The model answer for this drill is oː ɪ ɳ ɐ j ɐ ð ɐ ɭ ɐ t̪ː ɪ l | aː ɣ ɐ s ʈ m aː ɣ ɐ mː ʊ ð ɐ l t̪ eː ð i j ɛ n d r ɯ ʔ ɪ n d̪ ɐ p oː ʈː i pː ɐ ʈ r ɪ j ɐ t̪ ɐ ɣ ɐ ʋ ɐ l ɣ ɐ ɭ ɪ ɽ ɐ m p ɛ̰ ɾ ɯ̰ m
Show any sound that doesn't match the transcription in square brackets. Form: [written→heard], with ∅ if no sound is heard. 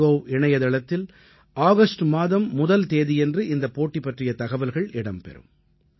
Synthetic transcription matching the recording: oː ɪ ɳ ɐ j ɐ ð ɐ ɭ ɐ t̪ː ɪ l | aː ɣ ɐ s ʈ m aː [ɣ→ð] ɐ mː ʊ ð ɐ l t̪ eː ð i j ɛ n d r ɯ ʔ ɪ n d̪ ɐ p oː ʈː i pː ɐ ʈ r ɪ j ɐ t̪ ɐ ɣ ɐ ʋ ɐ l ɣ ɐ ɭ ɪ ɽ ɐ m p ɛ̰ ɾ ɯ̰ m